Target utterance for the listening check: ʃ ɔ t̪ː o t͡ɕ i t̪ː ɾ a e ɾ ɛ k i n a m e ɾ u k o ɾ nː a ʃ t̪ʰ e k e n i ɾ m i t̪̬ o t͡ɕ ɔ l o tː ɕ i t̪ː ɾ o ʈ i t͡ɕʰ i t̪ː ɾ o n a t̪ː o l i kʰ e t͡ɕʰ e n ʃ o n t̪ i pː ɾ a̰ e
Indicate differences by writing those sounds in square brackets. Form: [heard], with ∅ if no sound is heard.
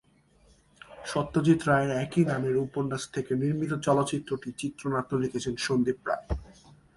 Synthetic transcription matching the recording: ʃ ɔ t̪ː o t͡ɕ i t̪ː ɾ a e ɾ ɛ k i n a m e ɾ u [p] o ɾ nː a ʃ t̪ʰ e k e n i ɾ m i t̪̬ o t͡ɕ ɔ l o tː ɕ i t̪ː ɾ o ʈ i [t͡ɕ] i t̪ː ɾ o n a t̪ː o l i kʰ e t͡ɕʰ e n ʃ o n [d̪] i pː ɾ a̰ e